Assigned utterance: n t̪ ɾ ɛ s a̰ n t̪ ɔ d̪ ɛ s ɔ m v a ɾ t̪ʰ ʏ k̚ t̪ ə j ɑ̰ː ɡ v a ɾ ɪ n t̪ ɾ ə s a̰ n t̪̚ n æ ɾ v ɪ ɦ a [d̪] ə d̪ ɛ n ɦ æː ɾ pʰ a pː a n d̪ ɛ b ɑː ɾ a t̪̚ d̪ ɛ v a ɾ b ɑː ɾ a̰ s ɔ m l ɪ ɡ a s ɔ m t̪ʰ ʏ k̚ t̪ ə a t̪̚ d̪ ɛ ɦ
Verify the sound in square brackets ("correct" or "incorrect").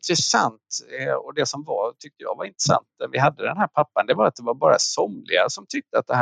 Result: incorrect